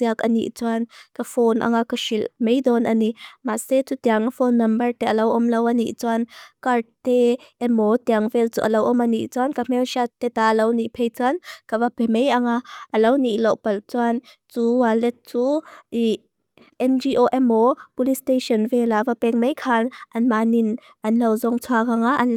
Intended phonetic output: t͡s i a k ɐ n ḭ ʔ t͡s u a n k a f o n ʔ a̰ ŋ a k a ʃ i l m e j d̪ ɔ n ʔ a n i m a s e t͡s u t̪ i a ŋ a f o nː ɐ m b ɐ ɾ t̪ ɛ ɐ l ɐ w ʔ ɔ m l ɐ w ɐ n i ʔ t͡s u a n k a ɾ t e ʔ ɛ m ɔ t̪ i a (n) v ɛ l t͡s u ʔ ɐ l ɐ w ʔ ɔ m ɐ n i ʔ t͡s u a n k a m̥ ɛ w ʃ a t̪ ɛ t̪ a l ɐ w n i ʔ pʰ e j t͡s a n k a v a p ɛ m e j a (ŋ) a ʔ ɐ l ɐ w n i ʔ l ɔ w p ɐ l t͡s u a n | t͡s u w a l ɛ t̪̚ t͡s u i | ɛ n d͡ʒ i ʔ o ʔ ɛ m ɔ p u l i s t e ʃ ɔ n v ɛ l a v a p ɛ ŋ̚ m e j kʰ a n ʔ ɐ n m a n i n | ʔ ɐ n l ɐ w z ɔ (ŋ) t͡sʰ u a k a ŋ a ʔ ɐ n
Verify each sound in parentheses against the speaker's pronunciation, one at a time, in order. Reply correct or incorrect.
incorrect, correct, correct

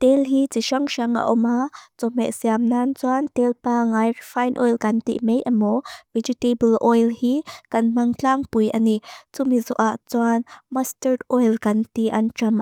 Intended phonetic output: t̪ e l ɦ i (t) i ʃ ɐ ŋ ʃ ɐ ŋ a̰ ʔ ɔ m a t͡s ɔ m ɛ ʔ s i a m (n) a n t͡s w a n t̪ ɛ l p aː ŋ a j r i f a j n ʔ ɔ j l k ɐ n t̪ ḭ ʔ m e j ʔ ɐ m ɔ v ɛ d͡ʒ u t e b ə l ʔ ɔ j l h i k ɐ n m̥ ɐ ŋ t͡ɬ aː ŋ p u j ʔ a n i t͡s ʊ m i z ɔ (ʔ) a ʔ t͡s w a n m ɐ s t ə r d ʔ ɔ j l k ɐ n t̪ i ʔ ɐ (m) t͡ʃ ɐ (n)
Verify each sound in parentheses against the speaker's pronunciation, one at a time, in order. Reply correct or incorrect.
incorrect, correct, correct, incorrect, incorrect

